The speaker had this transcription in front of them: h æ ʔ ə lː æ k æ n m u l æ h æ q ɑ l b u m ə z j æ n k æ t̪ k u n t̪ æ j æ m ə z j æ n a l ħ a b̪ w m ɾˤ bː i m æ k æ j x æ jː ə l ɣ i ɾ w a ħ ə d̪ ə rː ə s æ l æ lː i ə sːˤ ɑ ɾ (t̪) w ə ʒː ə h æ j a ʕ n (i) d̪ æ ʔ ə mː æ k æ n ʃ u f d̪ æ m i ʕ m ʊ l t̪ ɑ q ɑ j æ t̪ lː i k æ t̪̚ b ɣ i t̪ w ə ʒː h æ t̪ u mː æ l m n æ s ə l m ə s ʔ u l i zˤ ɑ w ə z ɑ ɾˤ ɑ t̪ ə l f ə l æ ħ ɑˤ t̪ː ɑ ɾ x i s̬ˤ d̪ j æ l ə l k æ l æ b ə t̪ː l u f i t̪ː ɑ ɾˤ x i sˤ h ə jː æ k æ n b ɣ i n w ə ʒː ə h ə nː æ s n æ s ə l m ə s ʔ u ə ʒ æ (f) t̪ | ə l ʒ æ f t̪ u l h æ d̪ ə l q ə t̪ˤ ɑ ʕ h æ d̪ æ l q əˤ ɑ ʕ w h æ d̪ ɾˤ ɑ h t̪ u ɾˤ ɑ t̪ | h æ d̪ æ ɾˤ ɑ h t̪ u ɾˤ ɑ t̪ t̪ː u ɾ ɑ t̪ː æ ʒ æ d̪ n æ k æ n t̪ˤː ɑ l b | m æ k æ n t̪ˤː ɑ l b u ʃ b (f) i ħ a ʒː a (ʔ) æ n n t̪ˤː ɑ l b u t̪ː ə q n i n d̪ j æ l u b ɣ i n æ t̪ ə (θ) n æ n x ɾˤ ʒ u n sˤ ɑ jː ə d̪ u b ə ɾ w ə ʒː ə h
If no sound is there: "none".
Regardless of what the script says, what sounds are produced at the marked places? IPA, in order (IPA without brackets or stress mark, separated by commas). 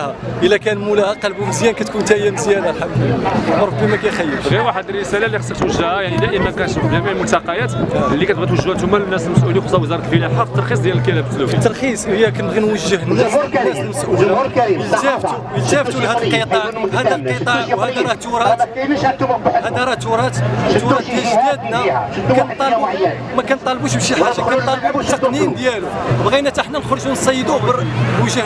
t̪, i, f, ʃ, k, ħ